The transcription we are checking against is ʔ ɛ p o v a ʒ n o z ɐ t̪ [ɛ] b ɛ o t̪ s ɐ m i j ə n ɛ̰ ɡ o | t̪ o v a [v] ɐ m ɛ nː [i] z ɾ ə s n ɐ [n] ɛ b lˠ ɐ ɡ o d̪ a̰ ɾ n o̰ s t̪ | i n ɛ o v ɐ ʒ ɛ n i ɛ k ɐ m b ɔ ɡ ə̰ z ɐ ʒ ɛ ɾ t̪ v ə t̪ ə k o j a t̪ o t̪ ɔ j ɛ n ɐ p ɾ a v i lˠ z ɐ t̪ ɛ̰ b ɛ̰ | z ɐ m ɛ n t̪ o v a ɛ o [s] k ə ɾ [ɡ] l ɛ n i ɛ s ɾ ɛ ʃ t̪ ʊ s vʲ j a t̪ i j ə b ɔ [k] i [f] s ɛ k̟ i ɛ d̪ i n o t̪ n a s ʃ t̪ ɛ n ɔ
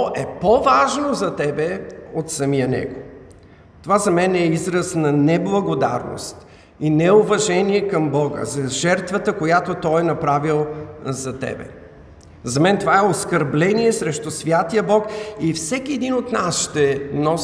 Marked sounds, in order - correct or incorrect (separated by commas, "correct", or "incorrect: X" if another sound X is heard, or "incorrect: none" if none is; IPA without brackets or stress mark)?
correct, incorrect: z, correct, correct, correct, incorrect: b, correct, correct